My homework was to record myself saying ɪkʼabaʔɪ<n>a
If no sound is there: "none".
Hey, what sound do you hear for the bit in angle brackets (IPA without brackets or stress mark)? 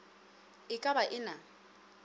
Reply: n